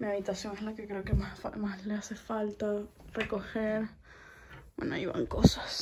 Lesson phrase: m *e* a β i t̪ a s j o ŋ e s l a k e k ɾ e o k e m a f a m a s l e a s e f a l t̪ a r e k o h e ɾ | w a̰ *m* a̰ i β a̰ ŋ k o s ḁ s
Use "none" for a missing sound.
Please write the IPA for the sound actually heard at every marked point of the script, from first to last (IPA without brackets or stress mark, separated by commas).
i, n